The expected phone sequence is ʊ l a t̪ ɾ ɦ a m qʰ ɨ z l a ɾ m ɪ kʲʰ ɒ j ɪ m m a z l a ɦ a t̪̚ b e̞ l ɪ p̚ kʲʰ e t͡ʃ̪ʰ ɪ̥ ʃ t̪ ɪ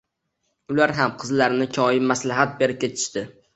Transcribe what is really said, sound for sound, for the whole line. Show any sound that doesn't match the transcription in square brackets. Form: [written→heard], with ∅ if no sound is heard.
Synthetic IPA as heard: ʊ l a [t̪→∅] ɾ ɦ a m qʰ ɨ z l a ɾ [m→n] ɪ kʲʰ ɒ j ɪ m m a [z→s] l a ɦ a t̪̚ b e̞ [l→ɾ] ɪ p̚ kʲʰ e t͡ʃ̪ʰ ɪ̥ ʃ t̪ ɪ